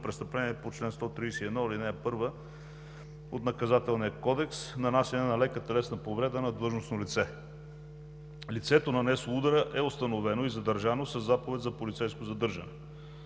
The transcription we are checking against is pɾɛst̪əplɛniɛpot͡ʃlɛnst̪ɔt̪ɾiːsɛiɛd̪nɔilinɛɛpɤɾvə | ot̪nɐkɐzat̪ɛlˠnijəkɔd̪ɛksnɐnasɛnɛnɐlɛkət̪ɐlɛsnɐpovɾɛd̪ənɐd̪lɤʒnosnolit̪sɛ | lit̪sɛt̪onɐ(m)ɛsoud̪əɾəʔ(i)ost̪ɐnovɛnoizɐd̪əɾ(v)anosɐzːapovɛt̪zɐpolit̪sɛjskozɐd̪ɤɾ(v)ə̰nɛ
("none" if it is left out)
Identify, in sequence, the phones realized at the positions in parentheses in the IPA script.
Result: n, ɛ, ʒ, ʒ

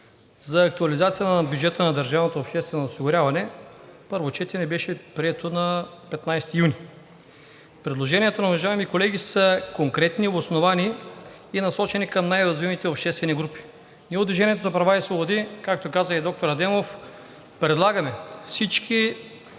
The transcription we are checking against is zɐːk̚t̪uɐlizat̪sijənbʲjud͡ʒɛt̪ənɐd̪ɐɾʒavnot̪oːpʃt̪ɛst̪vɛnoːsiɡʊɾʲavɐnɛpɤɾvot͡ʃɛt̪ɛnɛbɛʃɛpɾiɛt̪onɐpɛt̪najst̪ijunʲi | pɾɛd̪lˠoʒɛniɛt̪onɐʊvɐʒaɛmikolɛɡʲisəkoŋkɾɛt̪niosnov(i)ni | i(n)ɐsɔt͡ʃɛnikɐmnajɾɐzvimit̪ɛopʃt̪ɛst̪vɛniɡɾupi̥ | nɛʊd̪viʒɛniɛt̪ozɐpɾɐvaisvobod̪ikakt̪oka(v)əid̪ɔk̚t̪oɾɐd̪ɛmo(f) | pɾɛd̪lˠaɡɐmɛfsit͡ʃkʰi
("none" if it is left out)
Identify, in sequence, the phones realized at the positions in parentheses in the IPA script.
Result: a, n, z, f

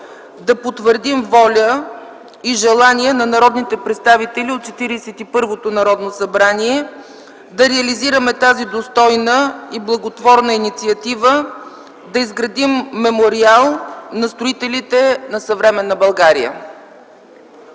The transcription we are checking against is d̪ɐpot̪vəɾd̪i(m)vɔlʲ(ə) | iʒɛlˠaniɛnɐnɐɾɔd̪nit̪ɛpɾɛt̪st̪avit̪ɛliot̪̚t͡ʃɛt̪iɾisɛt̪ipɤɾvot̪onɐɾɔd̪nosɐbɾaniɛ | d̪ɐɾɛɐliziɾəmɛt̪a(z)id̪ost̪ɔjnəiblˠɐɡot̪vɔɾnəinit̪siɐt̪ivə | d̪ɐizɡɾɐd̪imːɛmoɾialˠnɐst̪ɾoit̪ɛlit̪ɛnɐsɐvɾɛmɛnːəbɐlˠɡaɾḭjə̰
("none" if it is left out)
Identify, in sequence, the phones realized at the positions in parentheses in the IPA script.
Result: m, ə, z

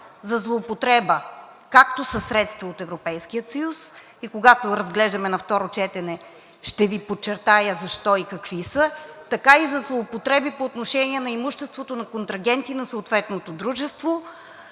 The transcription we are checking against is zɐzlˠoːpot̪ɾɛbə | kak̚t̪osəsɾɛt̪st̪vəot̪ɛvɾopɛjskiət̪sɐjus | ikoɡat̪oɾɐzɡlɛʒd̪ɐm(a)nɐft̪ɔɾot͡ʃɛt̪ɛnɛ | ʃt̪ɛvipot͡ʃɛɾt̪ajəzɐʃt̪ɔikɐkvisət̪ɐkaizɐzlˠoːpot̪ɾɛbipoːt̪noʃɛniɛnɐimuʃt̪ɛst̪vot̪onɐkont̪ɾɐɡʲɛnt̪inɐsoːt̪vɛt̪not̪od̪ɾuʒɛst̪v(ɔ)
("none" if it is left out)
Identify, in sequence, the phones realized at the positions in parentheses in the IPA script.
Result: ɛ, o

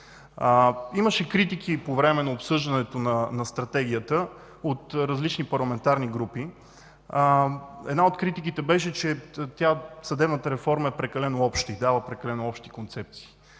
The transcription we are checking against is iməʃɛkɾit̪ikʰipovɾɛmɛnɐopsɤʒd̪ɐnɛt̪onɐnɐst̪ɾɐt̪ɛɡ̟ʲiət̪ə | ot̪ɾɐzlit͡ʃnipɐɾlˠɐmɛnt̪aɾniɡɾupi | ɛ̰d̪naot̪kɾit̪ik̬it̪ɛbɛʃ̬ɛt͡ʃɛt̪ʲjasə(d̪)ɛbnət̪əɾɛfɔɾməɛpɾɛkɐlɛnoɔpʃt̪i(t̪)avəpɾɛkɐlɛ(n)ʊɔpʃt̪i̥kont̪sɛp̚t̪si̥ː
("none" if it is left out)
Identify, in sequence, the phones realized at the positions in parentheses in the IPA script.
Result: d̪, d̪, n

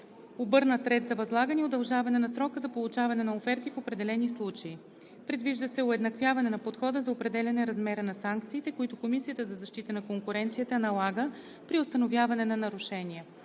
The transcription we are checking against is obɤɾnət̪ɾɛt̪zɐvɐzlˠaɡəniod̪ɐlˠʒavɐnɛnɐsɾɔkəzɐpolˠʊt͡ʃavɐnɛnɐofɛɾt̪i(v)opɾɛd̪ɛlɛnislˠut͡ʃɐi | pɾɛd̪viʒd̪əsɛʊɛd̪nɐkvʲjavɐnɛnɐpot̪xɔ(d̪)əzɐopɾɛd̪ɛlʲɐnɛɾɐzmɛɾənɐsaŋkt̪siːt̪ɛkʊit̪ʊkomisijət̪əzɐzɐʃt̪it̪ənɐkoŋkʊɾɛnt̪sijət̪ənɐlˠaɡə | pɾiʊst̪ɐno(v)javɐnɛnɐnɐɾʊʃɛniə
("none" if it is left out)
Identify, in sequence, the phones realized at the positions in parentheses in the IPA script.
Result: f, d̪, v

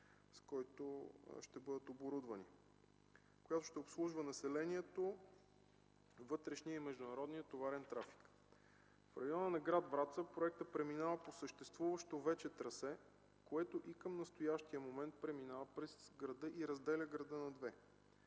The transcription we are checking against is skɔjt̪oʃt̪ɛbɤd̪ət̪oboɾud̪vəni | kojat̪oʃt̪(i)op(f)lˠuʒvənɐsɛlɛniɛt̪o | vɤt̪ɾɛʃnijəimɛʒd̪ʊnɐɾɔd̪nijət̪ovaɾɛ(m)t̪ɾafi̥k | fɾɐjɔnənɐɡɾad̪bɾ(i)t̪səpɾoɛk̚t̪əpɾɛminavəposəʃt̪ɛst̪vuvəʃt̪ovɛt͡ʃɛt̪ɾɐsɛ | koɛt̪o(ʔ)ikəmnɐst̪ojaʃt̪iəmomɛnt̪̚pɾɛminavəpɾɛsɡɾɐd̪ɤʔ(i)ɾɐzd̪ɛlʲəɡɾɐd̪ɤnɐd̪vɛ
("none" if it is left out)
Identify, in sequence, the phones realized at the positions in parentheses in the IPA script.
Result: ɛ, s, n, a, ʔ, i

